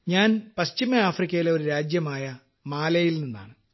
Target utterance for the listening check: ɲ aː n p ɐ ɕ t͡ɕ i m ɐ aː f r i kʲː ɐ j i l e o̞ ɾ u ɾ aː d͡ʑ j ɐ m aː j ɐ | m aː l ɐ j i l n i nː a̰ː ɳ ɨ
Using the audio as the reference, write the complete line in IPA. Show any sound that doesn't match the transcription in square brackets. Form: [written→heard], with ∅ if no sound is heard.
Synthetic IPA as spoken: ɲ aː n p ɐ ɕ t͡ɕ i m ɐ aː f r i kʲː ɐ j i l e o̞ ɾ u ɾ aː d͡ʑ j ɐ m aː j ɐ | m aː l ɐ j i l n i nː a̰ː ɳ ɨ